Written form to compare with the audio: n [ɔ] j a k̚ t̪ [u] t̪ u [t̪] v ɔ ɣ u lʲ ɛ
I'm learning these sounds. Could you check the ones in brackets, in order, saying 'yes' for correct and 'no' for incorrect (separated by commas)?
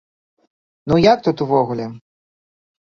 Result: no, yes, no